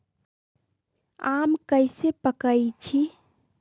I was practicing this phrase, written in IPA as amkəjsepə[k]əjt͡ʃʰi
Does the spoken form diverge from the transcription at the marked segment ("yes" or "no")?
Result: no